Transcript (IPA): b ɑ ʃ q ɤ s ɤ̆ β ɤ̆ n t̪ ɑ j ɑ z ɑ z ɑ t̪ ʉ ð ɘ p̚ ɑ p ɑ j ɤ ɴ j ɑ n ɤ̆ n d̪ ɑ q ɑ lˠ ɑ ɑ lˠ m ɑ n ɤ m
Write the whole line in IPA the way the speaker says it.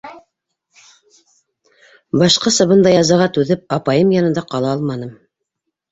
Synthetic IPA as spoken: b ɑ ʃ q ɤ s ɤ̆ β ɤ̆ n d̪ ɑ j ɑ z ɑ ʁ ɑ t̪ ʉ ð ɘ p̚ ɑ p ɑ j ɤ m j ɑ n ɤ̆ n d̪ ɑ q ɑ lˠ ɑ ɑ lˠ m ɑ n ɤ m